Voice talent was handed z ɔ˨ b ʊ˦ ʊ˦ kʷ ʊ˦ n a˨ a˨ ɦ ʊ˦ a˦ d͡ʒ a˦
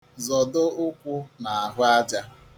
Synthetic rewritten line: z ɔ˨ d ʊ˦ ʊ˦ kʷ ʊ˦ n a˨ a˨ ɦ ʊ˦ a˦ d͡ʒ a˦